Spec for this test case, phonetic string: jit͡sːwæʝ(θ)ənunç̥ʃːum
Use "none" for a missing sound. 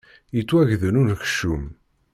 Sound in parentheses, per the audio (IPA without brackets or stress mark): ð